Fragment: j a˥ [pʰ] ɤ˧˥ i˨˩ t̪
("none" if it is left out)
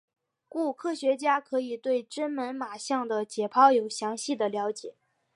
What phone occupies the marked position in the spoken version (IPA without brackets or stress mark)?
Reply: kʰ